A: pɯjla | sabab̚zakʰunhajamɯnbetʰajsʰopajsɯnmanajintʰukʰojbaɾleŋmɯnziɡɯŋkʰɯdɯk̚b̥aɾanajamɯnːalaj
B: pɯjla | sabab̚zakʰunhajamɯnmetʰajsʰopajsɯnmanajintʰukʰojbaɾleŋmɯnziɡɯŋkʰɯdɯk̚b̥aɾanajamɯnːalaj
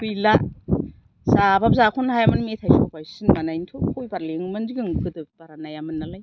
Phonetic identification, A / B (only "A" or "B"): B